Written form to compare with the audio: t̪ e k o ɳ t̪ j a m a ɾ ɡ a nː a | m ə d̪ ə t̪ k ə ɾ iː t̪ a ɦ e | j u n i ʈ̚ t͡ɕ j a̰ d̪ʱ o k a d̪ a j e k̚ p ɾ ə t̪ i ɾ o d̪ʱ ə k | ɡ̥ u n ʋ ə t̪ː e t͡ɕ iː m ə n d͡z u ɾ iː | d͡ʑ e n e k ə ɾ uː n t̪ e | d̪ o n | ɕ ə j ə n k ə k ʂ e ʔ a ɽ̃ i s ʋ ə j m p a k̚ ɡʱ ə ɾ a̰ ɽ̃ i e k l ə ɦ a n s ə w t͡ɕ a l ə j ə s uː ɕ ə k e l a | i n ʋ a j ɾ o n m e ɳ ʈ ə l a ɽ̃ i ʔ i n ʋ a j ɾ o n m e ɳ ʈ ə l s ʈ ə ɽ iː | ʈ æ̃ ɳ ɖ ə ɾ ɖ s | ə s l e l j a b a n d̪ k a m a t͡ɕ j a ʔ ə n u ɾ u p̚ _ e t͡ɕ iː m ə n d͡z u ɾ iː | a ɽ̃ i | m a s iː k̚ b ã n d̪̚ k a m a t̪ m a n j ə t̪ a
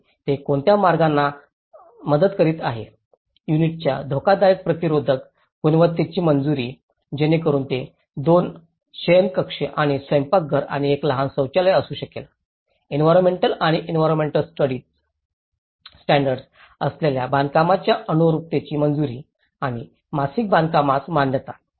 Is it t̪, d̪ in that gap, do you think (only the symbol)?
t̪